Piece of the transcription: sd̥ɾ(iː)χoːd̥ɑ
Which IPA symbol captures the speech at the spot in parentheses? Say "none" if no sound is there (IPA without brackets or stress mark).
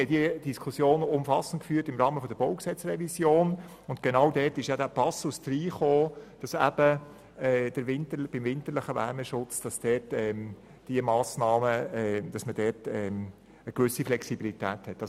iː